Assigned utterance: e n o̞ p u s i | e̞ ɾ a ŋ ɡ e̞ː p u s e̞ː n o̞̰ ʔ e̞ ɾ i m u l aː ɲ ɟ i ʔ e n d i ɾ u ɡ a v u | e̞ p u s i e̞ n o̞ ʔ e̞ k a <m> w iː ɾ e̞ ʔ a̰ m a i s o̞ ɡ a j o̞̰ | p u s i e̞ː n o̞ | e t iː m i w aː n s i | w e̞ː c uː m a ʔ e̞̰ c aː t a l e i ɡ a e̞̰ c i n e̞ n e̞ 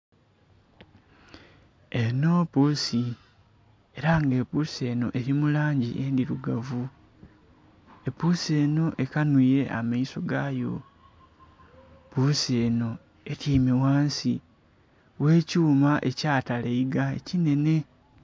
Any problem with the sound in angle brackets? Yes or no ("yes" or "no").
yes